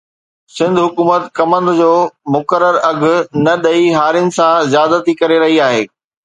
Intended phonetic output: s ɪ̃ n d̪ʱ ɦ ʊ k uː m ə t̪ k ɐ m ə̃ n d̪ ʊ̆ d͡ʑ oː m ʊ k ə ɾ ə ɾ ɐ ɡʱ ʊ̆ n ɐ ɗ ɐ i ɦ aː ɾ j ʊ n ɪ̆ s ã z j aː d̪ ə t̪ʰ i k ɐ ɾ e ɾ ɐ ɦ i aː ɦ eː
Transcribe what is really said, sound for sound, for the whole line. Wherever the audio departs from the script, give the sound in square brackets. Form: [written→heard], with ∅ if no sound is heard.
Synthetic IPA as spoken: s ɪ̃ n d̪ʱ ɦ ʊ k uː m ə t̪ k ɐ m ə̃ n d̪ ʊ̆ d͡ʑ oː m ʊ k ə ɾ ə ɾ ɐ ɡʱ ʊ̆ n ɐ ɗ ɐ i ɦ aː ɾ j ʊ n ɪ̆ s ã z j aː d̪ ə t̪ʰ i k ɐ ɾ e ɾ ɐ ɦ i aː ɦ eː

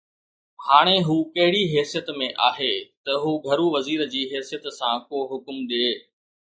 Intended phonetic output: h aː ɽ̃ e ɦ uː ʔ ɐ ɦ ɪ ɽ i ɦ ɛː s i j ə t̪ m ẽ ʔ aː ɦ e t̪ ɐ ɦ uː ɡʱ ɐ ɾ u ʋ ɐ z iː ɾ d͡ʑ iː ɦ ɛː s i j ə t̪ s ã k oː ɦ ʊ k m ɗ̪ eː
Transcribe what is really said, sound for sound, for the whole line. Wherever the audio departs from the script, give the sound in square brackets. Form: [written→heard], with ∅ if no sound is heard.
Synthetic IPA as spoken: h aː ɽ̃ e ɦ uː [ʔ→k] ɐ ɦ ɪ ɽ i ɦ ɛː s i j ə t̪ m ẽ ʔ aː ɦ e t̪ ɐ ɦ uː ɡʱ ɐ ɾ u ʋ ɐ z iː ɾ d͡ʑ iː ɦ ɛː s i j ə t̪ s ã k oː ɦ ʊ k m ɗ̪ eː

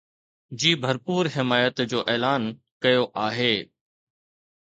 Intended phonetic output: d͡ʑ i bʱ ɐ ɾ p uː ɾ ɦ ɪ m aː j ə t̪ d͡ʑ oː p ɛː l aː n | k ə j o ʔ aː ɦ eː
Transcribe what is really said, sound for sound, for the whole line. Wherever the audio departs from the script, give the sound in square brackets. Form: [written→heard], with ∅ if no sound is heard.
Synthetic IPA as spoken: d͡ʑ [i→iː] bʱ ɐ ɾ p uː ɾ ɦ ɪ m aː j ə t̪ d͡ʑ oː [p→ʔ] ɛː l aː n | k [ə→ɐ] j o ʔ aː ɦ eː

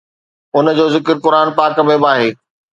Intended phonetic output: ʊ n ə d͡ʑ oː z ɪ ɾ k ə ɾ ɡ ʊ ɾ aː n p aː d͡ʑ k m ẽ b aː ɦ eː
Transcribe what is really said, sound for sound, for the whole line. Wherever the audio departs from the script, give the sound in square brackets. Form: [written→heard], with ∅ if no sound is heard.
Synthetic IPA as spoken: ʊ n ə d͡ʑ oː z ɪ [ɾ→∅] k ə ɾ [ɡ→k] ʊ ɾ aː n p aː [d͡ʑ→∅] k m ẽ b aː ɦ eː

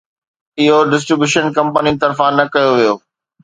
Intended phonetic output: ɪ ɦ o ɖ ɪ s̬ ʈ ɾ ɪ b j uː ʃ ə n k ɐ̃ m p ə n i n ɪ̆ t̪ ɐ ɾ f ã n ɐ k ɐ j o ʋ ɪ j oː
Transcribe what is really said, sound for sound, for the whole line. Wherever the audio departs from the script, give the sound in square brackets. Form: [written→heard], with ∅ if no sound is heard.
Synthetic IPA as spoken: ɪ ɦ o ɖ ɪ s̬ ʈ ɾ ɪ b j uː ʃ ə n k ɐ̃ m p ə n i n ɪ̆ t̪ ɐ ɾ f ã n ɐ k ɐ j o ʋ [ɪ→i] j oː

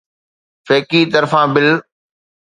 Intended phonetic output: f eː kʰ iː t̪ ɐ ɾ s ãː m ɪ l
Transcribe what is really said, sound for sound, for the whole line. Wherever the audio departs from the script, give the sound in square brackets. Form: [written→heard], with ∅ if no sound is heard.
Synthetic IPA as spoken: f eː [kʰ→k] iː t̪ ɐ ɾ [s→f] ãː [m→b] ɪ l

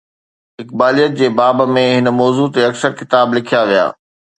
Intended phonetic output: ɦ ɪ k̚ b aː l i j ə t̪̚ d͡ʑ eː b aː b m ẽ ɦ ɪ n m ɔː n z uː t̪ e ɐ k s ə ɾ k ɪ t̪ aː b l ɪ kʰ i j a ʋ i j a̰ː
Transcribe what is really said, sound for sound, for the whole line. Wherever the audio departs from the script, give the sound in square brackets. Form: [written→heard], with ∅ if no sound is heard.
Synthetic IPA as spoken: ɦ ɪ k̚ b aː l i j ə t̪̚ d͡ʑ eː b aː b m ẽ ɦ ɪ n m ɔː [n→∅] z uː t̪ e ɐ k s ə ɾ k ɪ t̪ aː b l ɪ kʰ i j a ʋ i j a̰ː

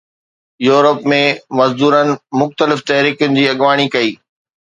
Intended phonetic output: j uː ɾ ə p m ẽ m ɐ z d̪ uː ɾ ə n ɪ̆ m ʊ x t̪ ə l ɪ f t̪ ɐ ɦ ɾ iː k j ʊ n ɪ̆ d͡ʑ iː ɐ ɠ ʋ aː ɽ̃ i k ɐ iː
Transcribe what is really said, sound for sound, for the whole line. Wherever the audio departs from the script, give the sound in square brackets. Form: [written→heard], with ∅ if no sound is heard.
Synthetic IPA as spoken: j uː ɾ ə p m ẽ m ɐ z d̪ uː ɾ ə n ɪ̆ m ʊ x t̪ ə l ɪ f t̪ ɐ ɦ ɾ iː k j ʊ n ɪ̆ d͡ʑ iː ɐ ɠ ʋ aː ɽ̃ i k ɐ iː

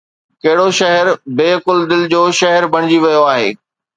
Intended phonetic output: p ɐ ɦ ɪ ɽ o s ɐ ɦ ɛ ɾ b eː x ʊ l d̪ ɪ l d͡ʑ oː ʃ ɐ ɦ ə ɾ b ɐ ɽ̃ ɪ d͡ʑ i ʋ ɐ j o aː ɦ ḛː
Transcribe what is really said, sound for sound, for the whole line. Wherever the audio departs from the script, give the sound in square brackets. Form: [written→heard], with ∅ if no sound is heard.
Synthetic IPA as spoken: [p→k] ɐ ɦ ɪ ɽ o [s→ʃ] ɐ ɦ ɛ ɾ b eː [x→k] ʊ l d̪ ɪ l d͡ʑ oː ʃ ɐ ɦ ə ɾ b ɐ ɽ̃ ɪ d͡ʑ i ʋ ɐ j o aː ɦ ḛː

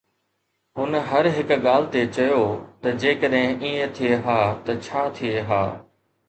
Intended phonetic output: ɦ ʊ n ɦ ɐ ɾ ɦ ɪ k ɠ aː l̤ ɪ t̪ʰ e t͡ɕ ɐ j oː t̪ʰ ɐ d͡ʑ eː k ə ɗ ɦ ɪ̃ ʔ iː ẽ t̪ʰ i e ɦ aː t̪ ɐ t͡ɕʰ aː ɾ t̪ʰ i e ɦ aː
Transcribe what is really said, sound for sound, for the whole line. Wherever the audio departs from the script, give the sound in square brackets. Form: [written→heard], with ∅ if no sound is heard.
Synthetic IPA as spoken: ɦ ʊ n ɦ ɐ ɾ ɦ ɪ k ɠ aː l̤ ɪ [t̪ʰ→t̪] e t͡ɕ ɐ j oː [t̪ʰ→t̪] ɐ d͡ʑ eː k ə ɗ ɦ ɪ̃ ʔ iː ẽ t̪ʰ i e ɦ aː t̪ ɐ t͡ɕʰ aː [ɾ→∅] t̪ʰ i e ɦ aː

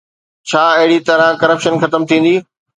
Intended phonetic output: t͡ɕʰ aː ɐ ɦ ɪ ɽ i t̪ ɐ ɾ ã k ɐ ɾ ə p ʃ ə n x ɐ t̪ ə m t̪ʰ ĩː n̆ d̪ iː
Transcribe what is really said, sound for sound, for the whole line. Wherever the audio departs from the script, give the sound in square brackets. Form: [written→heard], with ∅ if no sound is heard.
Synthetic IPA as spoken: t͡ɕʰ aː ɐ ɦ ɪ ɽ i t̪ ɐ ɾ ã k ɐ ɾ ə p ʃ ə n x ɐ t̪ ə m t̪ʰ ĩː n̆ d̪ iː

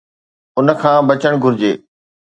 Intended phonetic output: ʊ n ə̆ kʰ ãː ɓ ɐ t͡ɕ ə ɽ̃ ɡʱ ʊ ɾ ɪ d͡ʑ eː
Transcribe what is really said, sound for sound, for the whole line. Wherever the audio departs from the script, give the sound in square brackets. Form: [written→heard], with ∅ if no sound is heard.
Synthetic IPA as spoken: ʊ n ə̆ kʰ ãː [ɓ→b] ɐ t͡ɕ ə ɽ̃ ɡʱ ʊ ɾ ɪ d͡ʑ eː

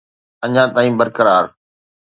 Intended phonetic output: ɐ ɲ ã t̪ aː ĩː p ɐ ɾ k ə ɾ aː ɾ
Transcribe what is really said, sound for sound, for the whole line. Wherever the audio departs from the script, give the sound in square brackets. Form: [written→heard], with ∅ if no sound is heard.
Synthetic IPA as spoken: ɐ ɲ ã t̪ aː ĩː [p→b] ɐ ɾ k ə ɾ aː ɾ

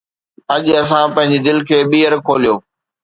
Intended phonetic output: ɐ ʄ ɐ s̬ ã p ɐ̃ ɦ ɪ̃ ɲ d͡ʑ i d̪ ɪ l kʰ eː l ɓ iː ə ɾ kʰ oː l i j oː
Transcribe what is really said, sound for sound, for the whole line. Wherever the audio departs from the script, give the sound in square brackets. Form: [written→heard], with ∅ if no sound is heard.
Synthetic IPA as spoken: ɐ ʄ ɐ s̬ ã p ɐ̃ ɦ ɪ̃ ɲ d͡ʑ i d̪ ɪ l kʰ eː [l→∅] ɓ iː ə ɾ kʰ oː l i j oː

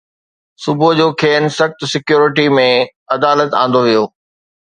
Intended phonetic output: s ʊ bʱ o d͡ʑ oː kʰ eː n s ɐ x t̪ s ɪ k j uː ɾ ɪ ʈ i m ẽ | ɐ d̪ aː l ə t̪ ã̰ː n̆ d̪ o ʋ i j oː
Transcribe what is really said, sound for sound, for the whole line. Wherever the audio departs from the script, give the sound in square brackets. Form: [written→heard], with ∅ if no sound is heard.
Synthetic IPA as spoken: s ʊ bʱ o d͡ʑ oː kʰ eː n s ɐ x t̪ s ɪ k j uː ɾ ɪ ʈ i m ẽ | ɐ d̪ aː l ə t̪ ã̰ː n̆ d̪ o ʋ i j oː

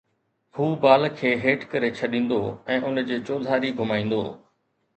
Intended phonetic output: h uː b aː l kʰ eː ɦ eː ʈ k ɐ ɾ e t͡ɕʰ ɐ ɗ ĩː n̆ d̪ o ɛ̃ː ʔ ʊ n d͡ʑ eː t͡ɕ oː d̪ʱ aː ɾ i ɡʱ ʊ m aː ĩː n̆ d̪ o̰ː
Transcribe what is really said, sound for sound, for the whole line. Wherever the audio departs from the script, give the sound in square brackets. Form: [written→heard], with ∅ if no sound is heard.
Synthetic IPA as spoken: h uː b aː l kʰ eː ɦ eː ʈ k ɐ ɾ e t͡ɕʰ ɐ ɗ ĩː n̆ d̪ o ɛ̃ː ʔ ʊ n d͡ʑ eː t͡ɕ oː d̪ʱ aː ɾ i ɡʱ ʊ m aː ĩː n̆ d̪ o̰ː

